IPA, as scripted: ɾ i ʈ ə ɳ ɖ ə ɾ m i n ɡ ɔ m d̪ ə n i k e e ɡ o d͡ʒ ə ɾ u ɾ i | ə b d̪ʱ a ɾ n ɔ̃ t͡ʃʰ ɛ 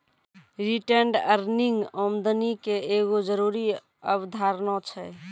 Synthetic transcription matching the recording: ɾ i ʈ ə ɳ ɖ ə ɾ n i ŋ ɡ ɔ m d̪ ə n i k e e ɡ o d͡ʒ ə ɾ u ɾ i | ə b d̪ʱ a ɾ n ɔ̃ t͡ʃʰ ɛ